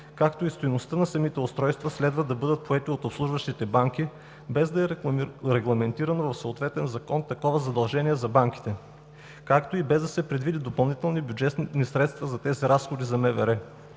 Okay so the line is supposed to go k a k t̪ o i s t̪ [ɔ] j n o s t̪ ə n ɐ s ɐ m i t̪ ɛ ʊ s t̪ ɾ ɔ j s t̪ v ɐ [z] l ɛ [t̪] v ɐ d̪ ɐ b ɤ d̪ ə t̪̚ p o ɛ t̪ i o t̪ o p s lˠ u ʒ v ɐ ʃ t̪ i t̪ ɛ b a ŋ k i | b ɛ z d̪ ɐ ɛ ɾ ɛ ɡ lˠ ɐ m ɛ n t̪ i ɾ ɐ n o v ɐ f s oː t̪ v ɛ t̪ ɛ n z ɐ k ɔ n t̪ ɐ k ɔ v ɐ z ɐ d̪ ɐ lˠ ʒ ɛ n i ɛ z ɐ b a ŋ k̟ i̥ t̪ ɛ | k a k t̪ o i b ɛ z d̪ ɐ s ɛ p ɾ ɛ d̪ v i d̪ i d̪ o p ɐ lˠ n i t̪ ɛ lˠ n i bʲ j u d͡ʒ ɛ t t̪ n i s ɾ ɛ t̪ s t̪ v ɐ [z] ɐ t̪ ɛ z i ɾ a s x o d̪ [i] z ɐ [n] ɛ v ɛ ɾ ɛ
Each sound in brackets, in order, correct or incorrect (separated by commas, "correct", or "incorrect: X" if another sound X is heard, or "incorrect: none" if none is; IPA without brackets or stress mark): incorrect: o, incorrect: s, incorrect: d̪, correct, correct, incorrect: m